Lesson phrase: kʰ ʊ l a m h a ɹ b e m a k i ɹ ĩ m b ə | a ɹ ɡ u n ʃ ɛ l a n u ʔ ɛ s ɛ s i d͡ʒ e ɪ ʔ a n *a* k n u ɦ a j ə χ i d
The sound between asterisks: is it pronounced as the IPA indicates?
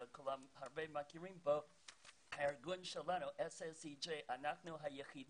yes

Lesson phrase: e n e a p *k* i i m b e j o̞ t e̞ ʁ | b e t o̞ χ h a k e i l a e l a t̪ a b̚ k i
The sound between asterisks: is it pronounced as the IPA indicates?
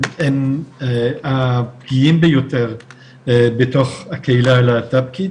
no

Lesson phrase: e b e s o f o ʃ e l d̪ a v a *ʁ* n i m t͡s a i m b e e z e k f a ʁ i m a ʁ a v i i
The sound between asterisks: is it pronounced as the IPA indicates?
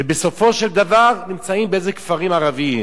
yes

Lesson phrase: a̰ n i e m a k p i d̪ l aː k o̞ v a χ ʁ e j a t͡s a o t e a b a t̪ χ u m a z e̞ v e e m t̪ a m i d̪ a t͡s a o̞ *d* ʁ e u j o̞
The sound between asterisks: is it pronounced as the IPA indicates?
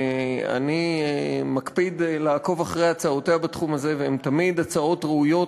no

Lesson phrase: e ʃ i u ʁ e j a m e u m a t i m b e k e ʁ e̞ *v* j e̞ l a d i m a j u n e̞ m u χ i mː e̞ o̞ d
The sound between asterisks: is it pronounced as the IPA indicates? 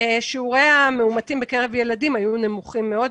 yes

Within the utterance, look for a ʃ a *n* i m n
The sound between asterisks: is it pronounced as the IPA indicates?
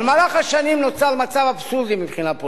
yes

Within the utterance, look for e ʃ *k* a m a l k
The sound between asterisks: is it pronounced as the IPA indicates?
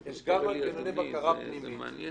no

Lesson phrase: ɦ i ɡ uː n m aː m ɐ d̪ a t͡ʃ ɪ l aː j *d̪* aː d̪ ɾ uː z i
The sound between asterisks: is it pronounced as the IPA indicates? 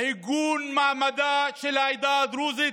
yes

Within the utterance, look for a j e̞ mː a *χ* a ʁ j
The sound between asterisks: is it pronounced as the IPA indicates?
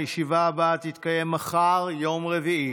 yes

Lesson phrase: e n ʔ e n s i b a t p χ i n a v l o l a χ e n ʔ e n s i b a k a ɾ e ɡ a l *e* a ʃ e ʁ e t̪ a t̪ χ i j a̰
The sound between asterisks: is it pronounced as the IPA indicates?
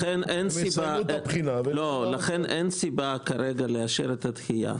yes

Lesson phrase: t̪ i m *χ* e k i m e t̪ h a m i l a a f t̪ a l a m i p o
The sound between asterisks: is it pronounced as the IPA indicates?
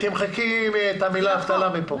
yes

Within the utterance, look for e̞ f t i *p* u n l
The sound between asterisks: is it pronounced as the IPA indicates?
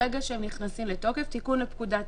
no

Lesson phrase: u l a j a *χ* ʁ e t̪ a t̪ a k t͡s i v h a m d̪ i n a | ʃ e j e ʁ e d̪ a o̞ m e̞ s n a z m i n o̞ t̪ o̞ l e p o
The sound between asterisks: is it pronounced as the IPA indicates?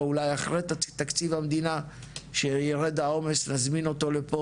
yes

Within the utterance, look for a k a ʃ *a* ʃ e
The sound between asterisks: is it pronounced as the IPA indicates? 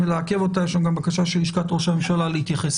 yes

